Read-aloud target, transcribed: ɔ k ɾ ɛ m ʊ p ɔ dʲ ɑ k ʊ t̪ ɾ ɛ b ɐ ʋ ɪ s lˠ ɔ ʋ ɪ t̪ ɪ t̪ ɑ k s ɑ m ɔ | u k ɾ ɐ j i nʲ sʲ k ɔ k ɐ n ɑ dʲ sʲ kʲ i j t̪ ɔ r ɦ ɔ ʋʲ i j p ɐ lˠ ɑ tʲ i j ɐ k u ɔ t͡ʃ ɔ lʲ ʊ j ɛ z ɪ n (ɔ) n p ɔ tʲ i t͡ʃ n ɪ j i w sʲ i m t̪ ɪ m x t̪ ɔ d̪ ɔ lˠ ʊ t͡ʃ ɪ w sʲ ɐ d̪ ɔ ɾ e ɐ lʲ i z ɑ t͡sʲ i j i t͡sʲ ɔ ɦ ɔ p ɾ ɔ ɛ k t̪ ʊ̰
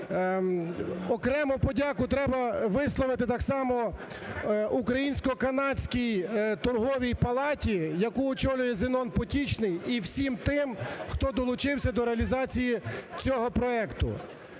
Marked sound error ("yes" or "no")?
no